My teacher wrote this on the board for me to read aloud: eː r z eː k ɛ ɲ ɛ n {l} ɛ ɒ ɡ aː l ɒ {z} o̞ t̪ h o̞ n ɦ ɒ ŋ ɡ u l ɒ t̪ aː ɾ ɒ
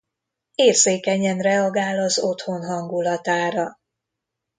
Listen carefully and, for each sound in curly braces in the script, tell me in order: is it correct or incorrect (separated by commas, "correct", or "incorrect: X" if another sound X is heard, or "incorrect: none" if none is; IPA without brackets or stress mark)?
incorrect: r, correct